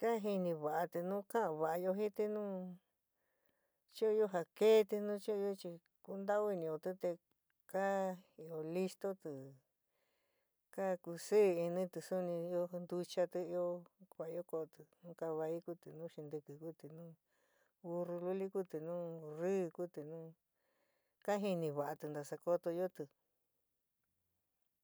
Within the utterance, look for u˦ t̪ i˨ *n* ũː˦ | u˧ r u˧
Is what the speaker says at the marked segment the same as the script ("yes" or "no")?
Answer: yes